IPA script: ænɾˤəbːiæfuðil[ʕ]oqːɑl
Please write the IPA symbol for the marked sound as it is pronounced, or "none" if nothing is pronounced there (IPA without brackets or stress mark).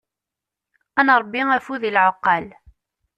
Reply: ʕ